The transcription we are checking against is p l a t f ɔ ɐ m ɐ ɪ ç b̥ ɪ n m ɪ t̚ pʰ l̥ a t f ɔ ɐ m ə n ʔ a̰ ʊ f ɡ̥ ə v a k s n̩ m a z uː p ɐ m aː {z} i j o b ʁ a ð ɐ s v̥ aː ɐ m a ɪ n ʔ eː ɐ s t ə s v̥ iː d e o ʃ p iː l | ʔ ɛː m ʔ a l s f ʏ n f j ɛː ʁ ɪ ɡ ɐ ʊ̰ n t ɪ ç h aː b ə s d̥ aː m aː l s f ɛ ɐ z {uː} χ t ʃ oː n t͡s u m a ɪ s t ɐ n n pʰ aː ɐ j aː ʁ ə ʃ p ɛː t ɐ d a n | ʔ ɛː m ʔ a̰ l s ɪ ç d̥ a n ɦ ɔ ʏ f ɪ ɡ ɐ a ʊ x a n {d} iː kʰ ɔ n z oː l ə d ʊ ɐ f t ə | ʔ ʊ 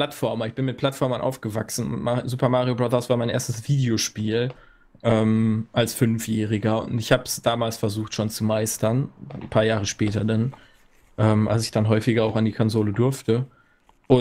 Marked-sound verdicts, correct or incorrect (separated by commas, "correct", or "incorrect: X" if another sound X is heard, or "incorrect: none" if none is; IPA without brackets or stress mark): incorrect: ʁ, correct, correct